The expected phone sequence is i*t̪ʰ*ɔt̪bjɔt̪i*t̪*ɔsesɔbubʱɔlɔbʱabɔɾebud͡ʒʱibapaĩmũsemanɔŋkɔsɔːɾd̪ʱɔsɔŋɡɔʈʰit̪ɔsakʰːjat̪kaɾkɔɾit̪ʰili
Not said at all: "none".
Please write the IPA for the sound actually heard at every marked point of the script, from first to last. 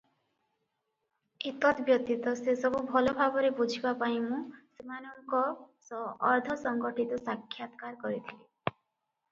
t̪, t̪

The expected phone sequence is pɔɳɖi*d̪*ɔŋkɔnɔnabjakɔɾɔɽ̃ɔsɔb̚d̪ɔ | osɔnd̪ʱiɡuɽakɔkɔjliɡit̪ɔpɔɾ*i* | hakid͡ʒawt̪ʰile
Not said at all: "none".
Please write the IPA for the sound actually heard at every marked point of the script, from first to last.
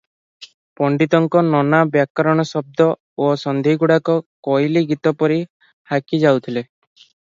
t̪, i

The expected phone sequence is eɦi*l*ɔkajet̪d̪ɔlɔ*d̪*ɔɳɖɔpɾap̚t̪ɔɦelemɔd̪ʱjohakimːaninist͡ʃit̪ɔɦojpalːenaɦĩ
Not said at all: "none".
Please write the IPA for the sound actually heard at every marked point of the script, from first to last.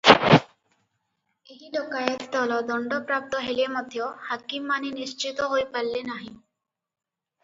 l, d̪

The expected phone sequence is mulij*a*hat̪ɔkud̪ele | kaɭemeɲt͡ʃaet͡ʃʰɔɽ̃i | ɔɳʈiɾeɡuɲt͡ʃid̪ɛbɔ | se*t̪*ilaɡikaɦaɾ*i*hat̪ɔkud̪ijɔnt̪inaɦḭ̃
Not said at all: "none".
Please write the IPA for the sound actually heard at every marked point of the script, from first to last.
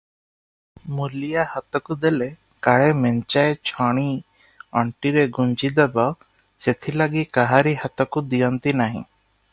a, t̪ʰ, i

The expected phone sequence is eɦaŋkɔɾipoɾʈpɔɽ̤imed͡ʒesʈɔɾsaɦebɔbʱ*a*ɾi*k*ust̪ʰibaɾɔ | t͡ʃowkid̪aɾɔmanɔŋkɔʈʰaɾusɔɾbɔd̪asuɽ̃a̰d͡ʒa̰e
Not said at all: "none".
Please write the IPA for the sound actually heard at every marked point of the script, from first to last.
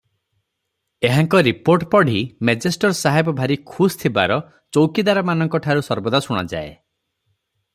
a, kʰ

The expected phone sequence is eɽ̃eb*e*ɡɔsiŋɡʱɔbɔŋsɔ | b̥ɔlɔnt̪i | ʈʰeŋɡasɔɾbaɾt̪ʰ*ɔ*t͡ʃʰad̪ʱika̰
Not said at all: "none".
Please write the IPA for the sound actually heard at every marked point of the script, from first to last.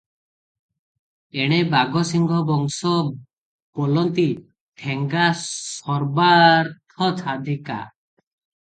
a, ɔ

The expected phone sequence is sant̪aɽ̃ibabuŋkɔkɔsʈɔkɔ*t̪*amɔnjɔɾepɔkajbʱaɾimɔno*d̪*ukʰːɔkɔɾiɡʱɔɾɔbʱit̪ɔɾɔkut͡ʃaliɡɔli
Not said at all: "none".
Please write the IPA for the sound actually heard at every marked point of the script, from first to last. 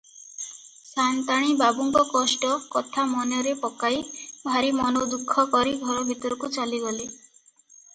t̪ʰ, d̪

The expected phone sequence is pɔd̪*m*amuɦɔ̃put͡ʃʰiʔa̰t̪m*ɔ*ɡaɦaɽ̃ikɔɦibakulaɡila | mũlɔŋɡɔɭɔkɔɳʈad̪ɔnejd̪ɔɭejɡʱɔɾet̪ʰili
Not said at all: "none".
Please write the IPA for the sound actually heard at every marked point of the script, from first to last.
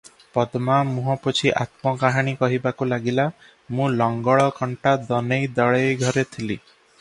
m, ɔ

